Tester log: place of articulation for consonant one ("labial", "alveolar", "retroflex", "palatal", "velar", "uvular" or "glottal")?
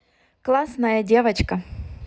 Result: velar